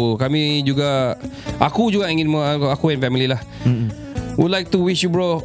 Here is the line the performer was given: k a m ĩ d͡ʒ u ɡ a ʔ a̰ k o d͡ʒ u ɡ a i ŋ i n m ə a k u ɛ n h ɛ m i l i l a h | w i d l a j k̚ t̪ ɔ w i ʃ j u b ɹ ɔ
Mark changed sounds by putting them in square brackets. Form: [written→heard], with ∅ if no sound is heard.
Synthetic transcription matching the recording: k a m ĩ d͡ʒ u ɡ a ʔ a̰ k [o→u] d͡ʒ u ɡ a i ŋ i n m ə a k u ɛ n [h→f] ɛ m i l i l a h | w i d l a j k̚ t̪ [ɔ→u] w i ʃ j u b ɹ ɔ